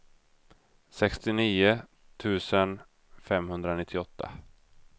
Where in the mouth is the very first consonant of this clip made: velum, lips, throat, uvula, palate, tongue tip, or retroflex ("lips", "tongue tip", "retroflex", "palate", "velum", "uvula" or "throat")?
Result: tongue tip